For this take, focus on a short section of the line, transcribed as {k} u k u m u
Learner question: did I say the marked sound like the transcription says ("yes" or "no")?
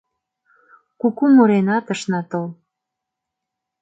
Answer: yes